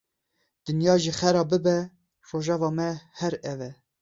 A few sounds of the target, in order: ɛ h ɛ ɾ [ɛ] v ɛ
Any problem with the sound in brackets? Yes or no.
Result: no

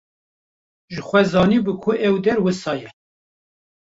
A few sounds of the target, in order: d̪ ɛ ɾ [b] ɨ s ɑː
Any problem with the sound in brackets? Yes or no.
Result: yes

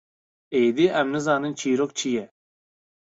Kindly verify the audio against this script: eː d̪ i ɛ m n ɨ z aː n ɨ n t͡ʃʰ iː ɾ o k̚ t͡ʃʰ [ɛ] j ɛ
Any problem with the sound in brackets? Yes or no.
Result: yes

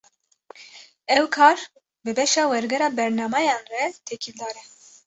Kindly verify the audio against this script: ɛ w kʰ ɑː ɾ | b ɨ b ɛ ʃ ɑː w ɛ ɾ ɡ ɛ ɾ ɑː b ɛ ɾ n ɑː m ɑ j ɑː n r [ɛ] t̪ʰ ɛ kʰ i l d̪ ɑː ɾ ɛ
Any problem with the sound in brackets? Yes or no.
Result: no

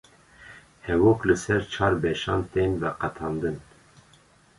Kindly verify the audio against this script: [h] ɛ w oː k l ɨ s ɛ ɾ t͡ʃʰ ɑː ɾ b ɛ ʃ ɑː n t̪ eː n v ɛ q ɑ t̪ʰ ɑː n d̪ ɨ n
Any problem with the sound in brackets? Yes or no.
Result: no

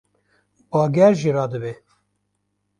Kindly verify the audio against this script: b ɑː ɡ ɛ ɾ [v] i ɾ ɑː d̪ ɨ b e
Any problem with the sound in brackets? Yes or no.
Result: yes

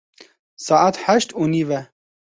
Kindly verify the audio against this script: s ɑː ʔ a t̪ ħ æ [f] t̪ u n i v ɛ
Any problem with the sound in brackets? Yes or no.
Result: yes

